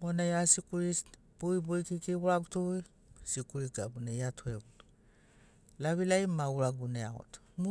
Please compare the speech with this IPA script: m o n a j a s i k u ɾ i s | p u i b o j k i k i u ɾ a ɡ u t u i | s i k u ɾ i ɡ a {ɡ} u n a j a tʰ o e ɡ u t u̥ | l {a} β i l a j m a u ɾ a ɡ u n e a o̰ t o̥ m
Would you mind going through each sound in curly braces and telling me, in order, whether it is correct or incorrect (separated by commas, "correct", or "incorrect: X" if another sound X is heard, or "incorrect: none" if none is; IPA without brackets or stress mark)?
incorrect: b, correct